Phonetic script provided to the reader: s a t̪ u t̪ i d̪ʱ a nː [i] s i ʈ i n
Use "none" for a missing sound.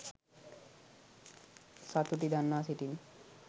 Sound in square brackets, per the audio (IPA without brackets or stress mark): a